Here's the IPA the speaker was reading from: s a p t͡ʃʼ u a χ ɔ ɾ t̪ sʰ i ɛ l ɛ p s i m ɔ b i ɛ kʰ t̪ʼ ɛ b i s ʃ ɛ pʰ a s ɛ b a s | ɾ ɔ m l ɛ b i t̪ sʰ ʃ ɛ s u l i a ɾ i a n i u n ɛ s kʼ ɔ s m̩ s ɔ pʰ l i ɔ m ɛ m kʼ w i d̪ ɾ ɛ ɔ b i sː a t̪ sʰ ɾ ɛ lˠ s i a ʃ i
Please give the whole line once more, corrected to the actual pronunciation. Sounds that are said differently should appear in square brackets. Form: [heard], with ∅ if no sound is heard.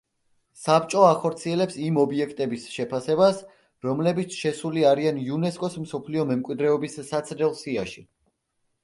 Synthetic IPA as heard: s a p t͡ʃʼ [ɔ] a χ ɔ ɾ t̪ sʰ i ɛ l ɛ p s i m ɔ b i ɛ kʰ t̪ʼ ɛ b i s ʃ ɛ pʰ a s ɛ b a s | ɾ ɔ m l ɛ b i t̪ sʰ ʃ ɛ s u l i a ɾ i a n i u n ɛ s kʼ ɔ s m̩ s ɔ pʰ l i ɔ m ɛ m kʼ w i d̪ ɾ ɛ ɔ b i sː a t̪ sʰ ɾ ɛ lˠ s i a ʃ i